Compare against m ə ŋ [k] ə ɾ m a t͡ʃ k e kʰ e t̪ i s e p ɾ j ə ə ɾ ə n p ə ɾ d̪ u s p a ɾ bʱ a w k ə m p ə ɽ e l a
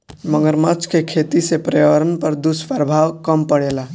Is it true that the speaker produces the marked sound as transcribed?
no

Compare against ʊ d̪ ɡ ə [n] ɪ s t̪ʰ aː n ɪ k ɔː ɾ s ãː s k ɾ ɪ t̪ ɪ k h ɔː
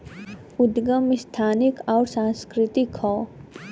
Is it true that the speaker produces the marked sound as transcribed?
no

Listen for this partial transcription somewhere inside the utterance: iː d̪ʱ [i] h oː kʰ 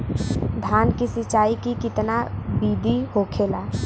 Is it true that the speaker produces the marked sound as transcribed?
yes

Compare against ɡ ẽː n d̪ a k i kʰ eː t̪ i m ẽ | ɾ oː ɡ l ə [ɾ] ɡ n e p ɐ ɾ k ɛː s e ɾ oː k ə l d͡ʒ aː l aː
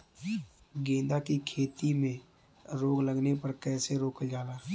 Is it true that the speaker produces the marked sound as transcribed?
no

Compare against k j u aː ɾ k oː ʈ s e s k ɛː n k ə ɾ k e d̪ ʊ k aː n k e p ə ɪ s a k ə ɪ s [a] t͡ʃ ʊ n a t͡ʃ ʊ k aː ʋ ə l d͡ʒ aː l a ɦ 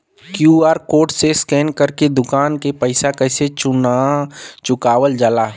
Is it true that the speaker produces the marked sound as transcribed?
no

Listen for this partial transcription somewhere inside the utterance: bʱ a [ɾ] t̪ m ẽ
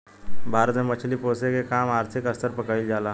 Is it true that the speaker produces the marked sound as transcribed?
yes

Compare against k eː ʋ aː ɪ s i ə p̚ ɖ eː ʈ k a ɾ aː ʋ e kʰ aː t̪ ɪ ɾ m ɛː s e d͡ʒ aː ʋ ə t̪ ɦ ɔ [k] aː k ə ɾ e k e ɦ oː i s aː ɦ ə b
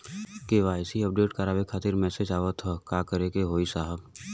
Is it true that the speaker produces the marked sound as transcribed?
yes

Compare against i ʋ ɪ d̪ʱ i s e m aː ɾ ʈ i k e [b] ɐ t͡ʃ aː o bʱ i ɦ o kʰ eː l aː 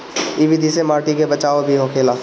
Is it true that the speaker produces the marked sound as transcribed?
yes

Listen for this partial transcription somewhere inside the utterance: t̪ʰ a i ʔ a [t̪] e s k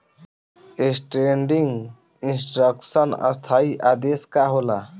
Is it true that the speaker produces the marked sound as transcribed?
no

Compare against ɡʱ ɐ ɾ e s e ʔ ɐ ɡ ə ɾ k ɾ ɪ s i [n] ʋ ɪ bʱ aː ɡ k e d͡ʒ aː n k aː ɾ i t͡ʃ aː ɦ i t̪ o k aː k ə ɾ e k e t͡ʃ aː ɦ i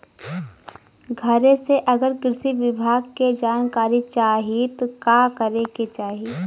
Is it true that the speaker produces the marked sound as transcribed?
no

